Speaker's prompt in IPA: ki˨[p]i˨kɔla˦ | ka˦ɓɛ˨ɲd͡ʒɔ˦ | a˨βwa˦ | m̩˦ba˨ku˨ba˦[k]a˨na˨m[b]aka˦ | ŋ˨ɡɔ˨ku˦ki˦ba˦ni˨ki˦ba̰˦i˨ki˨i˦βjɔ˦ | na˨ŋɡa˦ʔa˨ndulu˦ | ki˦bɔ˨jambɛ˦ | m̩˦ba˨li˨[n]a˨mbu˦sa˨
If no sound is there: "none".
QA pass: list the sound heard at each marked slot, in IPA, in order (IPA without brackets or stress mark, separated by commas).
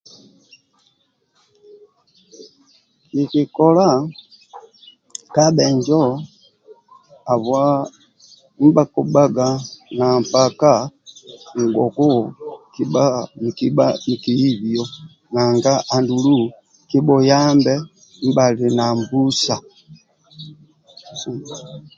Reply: k, ɡ, p, n